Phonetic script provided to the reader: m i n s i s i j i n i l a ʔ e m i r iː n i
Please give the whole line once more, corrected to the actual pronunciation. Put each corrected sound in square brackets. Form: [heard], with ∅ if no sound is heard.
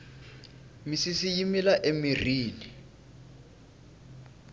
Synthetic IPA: m i [∅] s i s i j i [m] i l a ʔ e m i r iː n i